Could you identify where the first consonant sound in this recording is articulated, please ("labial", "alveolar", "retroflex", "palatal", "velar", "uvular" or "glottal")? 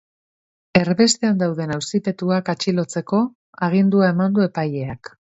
alveolar